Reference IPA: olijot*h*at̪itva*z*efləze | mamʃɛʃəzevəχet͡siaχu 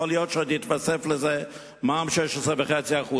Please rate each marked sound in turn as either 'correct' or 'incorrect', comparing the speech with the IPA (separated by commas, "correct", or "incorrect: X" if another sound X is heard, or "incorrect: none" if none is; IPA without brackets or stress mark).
incorrect: ʃ, incorrect: s